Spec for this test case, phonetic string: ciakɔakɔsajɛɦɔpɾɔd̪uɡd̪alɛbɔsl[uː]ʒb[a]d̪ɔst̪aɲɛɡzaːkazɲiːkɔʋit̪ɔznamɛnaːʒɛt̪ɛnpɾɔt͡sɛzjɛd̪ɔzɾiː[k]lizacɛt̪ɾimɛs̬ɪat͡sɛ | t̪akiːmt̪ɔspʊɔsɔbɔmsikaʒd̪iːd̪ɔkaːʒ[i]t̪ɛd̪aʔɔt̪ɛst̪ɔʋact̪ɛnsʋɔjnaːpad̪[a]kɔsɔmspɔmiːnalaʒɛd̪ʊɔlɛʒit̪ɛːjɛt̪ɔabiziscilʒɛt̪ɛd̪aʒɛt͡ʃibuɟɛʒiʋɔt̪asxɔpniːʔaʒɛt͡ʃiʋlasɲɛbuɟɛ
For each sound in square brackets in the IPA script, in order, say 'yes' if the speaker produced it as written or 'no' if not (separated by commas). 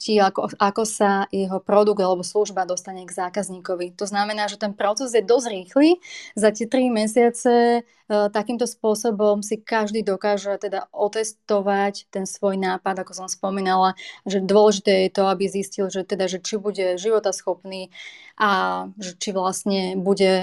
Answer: no, yes, no, no, yes